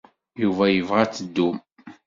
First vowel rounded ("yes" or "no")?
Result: yes